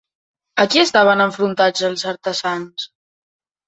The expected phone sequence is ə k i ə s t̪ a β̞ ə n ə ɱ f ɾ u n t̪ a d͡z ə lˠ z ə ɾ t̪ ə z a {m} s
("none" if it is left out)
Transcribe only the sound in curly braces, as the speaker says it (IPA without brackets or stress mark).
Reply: n